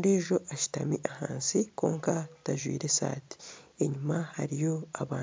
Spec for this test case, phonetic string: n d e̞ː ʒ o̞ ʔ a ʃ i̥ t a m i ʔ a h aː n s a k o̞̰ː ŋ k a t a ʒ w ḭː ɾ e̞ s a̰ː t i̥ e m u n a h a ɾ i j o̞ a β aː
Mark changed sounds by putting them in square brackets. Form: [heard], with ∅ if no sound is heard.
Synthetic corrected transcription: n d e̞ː ʒ o̞ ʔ a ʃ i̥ t a m i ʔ a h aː n s [i] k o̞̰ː ŋ k a t a ʒ w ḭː ɾ e̞ s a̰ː t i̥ e [ɲ] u [m] a h a ɾ i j o̞ a β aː